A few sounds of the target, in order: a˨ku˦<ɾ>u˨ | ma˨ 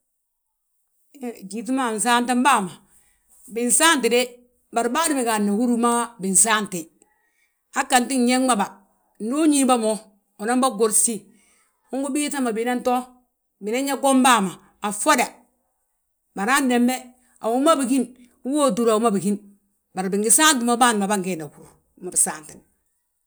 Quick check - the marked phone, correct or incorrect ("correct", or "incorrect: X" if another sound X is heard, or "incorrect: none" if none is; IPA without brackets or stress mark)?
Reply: correct